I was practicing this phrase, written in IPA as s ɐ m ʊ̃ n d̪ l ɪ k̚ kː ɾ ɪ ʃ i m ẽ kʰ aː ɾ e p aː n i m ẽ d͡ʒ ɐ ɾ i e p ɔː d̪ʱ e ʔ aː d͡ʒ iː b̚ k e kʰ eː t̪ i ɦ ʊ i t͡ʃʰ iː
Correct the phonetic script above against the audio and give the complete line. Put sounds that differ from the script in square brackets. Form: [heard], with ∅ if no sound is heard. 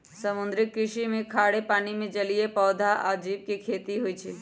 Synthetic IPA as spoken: s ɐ m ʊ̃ n d̪ [ɾ] ɪ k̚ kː ɾ ɪ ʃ i m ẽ kʰ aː [ɽ] e p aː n i m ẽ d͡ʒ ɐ [l] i e p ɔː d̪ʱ [a] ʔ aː d͡ʒ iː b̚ k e kʰ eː t̪ i ɦ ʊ i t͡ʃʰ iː